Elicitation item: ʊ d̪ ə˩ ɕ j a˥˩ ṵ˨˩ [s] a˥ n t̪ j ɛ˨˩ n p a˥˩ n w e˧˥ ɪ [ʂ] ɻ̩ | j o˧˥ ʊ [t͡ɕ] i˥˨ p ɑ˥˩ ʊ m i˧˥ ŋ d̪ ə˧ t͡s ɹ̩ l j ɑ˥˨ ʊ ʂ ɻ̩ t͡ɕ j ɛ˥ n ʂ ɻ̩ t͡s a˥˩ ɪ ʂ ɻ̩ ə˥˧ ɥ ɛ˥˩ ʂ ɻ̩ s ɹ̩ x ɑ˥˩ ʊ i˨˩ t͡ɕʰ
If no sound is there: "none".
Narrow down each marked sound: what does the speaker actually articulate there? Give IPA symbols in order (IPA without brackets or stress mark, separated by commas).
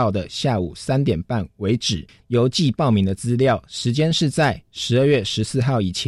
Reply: s, ʈ͡ʂ, t͡ɕ